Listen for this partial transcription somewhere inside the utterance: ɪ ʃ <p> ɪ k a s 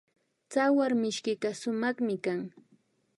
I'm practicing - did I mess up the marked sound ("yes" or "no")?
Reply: yes